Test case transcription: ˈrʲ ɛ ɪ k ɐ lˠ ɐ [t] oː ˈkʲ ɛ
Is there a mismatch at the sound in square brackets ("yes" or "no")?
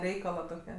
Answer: no